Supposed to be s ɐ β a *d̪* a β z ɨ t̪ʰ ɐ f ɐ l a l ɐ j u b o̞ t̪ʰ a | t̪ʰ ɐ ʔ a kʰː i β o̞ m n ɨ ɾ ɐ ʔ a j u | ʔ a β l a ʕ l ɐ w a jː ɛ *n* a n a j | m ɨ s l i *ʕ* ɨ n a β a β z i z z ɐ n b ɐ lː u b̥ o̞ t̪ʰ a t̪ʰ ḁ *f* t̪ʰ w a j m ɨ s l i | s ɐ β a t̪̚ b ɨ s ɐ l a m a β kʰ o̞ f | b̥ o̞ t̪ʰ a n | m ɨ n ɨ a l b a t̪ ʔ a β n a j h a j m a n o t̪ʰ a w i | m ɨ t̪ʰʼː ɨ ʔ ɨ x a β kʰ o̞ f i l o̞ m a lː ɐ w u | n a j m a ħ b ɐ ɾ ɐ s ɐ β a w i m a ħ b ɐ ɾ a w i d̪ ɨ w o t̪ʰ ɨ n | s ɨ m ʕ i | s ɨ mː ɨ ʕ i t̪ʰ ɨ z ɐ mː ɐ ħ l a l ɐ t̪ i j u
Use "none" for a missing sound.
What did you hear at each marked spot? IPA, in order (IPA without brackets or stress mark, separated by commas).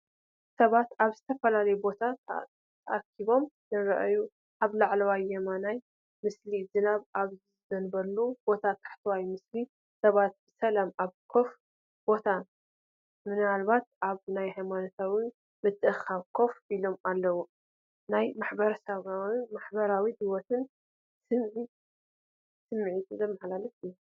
t̪, m, z, ħ